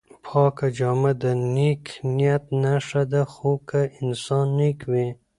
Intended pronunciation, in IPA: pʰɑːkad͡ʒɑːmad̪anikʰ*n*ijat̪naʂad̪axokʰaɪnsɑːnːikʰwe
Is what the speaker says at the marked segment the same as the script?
yes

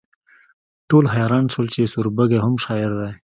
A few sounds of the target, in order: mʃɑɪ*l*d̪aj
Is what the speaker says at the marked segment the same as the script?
no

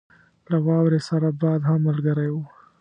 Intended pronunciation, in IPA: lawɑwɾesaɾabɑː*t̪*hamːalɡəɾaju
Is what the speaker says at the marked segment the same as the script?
no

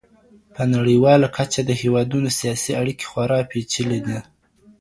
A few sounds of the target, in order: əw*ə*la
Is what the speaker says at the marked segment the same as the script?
no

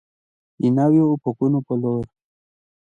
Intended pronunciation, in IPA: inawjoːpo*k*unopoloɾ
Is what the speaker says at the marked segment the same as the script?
yes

